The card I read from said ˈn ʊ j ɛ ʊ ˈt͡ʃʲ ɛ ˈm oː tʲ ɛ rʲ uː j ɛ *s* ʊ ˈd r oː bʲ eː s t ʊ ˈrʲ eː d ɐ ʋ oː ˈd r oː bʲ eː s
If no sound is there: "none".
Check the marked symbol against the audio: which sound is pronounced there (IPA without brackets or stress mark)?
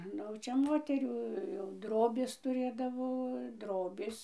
none